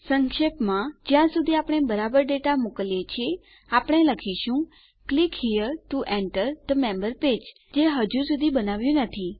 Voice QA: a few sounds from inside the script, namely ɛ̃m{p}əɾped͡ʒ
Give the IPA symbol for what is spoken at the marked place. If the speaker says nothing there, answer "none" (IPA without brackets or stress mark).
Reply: b